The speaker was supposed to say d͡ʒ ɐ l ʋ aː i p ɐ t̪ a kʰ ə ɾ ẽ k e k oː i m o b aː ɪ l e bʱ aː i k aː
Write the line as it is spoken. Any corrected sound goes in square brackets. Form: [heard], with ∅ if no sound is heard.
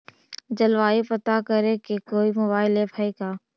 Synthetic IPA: d͡ʒ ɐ l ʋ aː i p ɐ t̪ a [k] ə ɾ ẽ k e k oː i m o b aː ɪ l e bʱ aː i k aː

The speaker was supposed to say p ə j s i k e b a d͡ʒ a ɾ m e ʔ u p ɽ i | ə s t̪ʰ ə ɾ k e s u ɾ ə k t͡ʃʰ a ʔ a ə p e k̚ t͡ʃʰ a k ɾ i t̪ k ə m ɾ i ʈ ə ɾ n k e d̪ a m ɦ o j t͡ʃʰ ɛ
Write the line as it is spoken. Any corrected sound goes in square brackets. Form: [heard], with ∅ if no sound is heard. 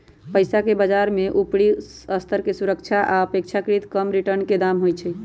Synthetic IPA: p ə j s [a] k e b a d͡ʒ a ɾ m e ʔ u p ɽ i | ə s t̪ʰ ə ɾ k e s u ɾ ə k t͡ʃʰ a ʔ a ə p e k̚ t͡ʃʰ a k ɾ i t̪ k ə m ɾ i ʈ ə ɾ n k e d̪ a m ɦ o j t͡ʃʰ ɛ

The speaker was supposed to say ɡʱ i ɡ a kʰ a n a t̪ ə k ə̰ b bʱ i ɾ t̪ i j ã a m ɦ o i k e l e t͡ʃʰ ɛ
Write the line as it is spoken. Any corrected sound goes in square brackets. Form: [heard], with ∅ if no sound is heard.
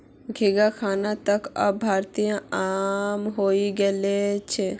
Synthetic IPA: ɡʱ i ɡ a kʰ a n a t̪ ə k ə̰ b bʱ [a] ɾ t̪ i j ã a m ɦ o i [ɡ] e l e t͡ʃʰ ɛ

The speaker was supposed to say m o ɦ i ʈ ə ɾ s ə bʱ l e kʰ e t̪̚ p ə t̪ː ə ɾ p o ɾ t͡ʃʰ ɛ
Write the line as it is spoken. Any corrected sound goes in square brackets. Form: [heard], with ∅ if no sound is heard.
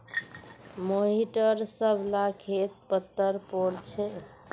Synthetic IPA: m o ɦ i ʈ ə ɾ s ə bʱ l [a] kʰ e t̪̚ p ə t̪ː ə ɾ p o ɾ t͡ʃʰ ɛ

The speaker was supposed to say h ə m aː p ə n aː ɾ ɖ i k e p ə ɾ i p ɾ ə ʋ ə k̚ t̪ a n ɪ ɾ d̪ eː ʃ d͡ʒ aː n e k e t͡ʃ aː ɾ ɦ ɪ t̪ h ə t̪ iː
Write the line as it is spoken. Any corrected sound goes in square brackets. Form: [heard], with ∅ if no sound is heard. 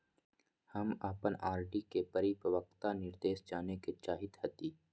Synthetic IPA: h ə m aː p ə n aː ɾ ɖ i k e p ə ɾ i p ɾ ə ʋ ə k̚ t̪ a n ɪ ɾ d̪ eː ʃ d͡ʒ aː n e k e t͡ʃ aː [∅] ɦ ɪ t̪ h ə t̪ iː

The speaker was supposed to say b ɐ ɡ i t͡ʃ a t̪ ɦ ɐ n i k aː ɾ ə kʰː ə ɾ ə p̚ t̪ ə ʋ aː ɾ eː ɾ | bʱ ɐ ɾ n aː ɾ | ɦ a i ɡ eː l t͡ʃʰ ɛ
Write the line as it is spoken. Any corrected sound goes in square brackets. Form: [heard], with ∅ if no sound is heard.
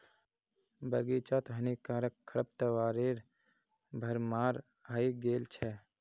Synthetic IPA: b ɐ ɡ i t͡ʃ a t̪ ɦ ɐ n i k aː ɾ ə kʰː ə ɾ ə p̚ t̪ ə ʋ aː ɾ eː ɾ | bʱ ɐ ɾ [m] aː ɾ | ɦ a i ɡ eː l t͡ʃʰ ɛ

